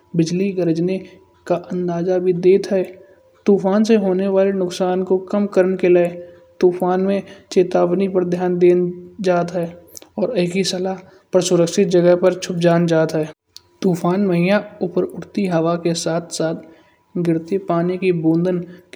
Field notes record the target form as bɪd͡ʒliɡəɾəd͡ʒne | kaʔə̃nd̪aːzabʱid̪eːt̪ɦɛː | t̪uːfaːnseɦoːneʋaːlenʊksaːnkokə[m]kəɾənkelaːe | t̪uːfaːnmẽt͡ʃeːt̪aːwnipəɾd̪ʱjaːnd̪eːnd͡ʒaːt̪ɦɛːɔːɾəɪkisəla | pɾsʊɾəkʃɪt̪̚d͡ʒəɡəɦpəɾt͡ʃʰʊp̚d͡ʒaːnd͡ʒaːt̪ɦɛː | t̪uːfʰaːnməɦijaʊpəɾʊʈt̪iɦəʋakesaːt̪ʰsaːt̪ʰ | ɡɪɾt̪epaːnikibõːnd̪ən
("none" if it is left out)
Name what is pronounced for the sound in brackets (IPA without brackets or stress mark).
m